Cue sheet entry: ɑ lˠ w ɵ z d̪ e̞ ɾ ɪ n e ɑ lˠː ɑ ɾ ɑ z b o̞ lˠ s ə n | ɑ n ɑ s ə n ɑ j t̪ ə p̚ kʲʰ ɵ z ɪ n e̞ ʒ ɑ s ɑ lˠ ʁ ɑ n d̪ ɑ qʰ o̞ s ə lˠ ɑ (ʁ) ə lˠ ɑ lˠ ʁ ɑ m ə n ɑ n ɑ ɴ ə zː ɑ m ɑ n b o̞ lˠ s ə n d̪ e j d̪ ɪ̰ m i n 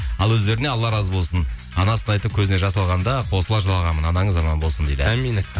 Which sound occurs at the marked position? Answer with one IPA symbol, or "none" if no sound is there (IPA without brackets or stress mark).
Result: ʒ